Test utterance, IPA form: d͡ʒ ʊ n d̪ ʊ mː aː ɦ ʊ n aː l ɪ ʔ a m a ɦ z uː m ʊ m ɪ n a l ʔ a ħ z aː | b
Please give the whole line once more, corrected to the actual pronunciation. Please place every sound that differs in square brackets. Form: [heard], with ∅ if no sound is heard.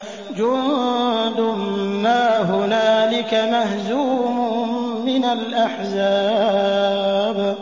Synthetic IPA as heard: d͡ʒ ʊ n d̪ ʊ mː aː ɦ ʊ n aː l ɪ [k] a m a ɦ z uː m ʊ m ɪ n a l ʔ a ħ z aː | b